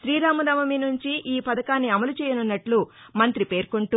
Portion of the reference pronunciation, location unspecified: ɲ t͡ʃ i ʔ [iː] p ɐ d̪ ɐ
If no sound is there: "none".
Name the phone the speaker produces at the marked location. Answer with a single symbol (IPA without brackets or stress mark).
iː